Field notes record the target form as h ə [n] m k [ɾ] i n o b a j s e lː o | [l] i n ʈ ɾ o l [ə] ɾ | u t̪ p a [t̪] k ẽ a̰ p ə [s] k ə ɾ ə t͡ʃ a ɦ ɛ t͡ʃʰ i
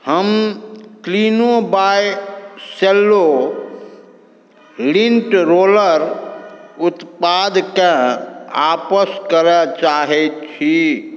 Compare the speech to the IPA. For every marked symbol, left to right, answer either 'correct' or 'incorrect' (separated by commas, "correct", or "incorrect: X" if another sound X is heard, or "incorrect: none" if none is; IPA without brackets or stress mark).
incorrect: none, incorrect: l, correct, correct, incorrect: d̪, correct